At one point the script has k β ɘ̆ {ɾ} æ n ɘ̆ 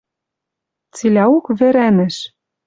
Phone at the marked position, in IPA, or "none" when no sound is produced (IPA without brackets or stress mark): ɾ